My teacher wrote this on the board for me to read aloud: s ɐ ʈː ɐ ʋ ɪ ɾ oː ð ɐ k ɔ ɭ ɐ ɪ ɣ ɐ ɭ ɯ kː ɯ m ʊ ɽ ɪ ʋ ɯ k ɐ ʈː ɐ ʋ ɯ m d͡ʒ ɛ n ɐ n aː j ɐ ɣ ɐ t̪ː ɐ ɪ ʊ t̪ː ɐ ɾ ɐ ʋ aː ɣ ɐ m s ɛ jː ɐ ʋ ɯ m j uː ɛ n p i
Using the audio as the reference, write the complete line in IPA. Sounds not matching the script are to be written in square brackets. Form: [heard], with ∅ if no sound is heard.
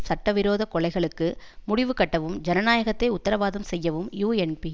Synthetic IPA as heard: s ɐ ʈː ɐ ʋ ɪ ɾ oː ð ɐ k ɔ ɭ ɐ ɪ ɣ ɐ ɭ ɯ kː ɯ m ʊ ɽ ɪ ʋ ɯ k ɐ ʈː ɐ ʋ ɯ m d͡ʒ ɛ n ɐ n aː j ɐ ɣ ɐ t̪ː ɐ ɪ ʊ t̪ː ɐ ɾ ɐ ʋ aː [ð] ɐ m s ɛ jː ɐ ʋ ɯ m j uː ɛ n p i

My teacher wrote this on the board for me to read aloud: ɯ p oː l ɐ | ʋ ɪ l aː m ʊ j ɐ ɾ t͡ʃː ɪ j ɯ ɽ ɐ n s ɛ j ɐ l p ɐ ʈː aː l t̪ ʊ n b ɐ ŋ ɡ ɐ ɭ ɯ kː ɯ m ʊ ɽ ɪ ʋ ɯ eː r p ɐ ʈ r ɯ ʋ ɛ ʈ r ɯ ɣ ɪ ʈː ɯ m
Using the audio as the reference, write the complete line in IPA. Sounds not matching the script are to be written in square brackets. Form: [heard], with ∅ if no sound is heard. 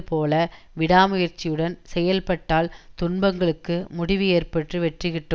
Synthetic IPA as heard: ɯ p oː l ɐ | ʋ ɪ [ɽ] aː m ʊ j ɐ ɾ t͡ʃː ɪ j ɯ ɽ ɐ n s ɛ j ɐ l p ɐ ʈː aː l t̪ ʊ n b ɐ ŋ ɡ ɐ ɭ ɯ kː ɯ m ʊ ɽ ɪ ʋ ɯ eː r p ɐ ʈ r ɯ ʋ ɛ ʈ r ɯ ɣ ɪ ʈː ɯ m

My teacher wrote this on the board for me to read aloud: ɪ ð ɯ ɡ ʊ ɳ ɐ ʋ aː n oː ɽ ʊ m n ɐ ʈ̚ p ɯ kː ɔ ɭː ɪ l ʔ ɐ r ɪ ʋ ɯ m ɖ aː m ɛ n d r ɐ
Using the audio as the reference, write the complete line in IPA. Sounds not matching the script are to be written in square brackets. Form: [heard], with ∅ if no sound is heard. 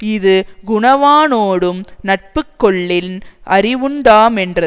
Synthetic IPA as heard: ɪ ð ɯ ɡ ʊ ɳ ɐ ʋ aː n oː ɽ [ɯ] m n ɐ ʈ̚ p ɯ kː ɔ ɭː ɪ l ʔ ɐ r ɪ ʋ ɯ [ɳ] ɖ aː m ɛ n d r ɐ

